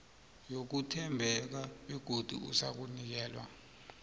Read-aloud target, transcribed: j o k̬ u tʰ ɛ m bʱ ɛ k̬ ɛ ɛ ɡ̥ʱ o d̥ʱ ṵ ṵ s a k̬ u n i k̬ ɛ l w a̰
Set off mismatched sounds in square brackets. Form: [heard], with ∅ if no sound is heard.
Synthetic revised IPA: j o k̬ u tʰ ɛ m bʱ ɛ k̬ [a] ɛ ɡ̥ʱ o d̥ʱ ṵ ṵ s a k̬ u n i k̬ [ɛː] l w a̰